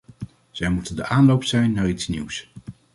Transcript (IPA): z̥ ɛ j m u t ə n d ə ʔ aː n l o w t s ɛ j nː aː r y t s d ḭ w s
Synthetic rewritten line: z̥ ɛ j m u t ə n d ə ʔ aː n l o w p s ɛ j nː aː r i t s n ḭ w s